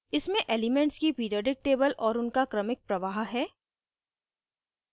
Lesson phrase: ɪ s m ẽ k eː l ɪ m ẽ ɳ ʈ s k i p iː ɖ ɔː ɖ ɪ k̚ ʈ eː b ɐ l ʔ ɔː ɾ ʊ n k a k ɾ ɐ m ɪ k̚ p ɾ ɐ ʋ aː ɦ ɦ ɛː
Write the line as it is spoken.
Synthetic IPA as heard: ɪ s m ẽ ʔ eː l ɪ m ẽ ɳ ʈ s k i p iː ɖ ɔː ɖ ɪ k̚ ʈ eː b ə l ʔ ɔː ɾ ʊ n k a k ɾ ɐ m ɪ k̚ p ɾ ɐ ʋ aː ɦ ɦ ɛː